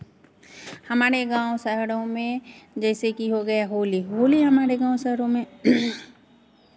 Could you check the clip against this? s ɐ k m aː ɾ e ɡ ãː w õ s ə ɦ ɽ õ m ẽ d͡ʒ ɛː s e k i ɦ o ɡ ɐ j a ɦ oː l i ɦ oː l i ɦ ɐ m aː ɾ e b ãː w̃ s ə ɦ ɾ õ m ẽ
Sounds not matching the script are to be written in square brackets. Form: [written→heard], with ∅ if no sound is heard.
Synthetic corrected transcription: [s→h] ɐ [k→∅] m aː ɾ e ɡ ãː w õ s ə ɦ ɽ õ m ẽ d͡ʒ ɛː s e k i ɦ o ɡ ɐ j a ɦ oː l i ɦ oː l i ɦ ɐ m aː ɾ e [b→ɡ] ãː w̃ s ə ɦ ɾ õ m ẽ